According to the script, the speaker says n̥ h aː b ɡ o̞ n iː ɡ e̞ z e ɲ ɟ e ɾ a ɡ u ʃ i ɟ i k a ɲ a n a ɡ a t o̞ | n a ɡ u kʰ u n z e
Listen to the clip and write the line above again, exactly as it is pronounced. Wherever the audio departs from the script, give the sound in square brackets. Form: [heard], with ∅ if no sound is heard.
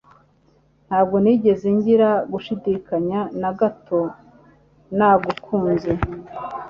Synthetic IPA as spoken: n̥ h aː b ɡ o̞ n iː [ɟ] e̞ z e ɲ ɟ [i] ɾ a ɡ u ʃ i [d] i k a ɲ a n a ɡ a t o̞ | n a ɡ u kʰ [uː] n z e